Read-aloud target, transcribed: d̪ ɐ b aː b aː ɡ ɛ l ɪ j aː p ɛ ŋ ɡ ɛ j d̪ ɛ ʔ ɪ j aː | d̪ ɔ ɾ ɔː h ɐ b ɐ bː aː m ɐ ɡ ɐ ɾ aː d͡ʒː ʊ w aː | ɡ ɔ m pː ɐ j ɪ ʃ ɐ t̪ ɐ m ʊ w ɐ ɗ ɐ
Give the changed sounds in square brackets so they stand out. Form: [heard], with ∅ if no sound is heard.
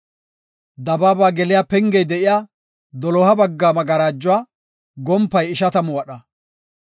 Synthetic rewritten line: d̪ ɐ b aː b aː ɡ ɛ l ɪ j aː p ɛ ŋ ɡ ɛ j d̪ ɛ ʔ ɪ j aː | d̪ ɔ [l] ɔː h ɐ b ɐ [ɡː] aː m ɐ ɡ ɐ ɾ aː d͡ʒː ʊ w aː | ɡ ɔ m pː ɐ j ɪ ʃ ɐ t̪ ɐ m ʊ w ɐ ɗ ɐ